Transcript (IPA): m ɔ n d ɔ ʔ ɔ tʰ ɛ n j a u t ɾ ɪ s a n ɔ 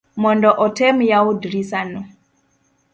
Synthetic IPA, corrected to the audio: m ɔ n d ɔ ʔ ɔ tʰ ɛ m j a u d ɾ i s a n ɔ